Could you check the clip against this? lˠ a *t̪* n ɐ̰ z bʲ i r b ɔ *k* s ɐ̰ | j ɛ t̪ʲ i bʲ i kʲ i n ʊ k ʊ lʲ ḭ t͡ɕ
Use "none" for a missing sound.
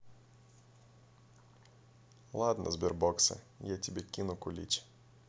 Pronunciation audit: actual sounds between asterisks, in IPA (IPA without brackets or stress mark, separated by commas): d̪, k